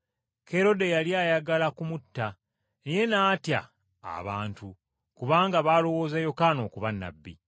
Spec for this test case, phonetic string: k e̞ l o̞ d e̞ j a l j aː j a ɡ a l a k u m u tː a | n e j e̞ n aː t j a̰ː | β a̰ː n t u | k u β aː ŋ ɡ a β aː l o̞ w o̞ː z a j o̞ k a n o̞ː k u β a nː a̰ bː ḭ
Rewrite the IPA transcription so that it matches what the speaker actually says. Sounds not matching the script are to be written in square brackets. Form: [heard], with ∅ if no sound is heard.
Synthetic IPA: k e̞ [ɾ] o̞ d e̞ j a l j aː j a ɡ a l a k u m u tː a | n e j e̞ n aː t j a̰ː | β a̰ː n t u | k u β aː ŋ ɡ a β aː l o̞ w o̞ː z a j o̞ k a n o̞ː k u β a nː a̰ bː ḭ